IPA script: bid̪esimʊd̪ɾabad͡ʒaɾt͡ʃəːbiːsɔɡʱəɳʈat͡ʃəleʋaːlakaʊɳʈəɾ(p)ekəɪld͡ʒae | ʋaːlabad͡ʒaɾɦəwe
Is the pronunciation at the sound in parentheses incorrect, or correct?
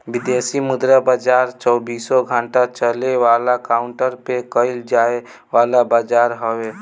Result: correct